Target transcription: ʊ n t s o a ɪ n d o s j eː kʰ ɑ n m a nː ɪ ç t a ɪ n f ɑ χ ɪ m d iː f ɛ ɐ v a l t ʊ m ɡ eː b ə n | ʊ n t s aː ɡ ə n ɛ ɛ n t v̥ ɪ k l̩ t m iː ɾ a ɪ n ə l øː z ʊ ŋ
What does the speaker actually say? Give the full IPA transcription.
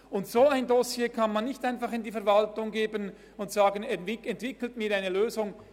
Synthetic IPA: ʊ n t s o a ɪ n d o s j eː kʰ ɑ n m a nː ɪ ç t a ɪ n f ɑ χ ɪ n d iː f ɛ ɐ v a l t ʊ ŋ ɡ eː b ə n | ʊ n t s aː ɡ ə n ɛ ɛ n t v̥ ɪ k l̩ t m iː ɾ a ɪ n ə l øː z ʊ ŋ